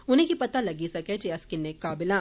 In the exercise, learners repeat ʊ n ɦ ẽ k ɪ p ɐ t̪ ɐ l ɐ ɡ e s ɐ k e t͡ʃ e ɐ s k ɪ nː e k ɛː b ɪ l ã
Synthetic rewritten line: ʊ n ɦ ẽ k i p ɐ t̪ a l ɐ ɡ i s ɐ k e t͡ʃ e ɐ s k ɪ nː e k aː b ɪ l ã